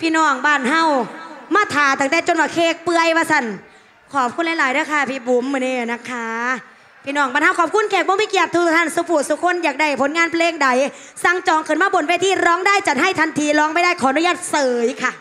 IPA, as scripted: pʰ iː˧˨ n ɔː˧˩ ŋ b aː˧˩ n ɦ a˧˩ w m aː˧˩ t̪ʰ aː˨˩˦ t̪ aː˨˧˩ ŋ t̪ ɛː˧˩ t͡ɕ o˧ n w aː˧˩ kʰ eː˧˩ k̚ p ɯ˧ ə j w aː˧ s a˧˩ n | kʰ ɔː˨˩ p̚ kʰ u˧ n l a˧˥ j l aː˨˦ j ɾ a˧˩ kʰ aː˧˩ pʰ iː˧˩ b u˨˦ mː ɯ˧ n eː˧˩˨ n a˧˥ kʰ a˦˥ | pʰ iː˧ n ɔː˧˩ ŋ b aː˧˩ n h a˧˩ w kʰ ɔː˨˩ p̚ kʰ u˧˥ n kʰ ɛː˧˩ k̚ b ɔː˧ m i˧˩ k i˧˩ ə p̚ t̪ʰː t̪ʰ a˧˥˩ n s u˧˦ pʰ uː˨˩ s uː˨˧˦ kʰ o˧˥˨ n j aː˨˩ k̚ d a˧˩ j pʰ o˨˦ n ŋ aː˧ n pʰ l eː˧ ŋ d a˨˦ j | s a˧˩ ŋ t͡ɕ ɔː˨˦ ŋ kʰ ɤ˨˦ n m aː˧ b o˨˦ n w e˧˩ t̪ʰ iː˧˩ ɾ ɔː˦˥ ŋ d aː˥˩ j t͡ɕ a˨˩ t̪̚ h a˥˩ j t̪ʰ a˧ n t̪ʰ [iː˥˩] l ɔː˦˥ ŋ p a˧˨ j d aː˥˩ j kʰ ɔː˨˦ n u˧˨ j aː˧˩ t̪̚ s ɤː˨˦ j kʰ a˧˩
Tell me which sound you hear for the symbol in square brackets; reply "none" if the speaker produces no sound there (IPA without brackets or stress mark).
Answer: iː˧˥